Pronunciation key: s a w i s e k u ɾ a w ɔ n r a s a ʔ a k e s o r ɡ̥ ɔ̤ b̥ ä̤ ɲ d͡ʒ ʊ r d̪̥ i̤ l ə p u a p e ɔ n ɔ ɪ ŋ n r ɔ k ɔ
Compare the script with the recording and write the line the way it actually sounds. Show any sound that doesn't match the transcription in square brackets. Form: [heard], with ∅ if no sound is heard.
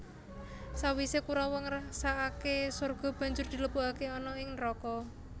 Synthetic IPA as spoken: s a w i s e k u ɾ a w ɔ [ŋ] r a s a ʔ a k e s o r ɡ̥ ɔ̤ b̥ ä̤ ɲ d͡ʒ ʊ r d̪̥ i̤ l ə p u a [k] e ɔ n ɔ ɪ ŋ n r ɔ k ɔ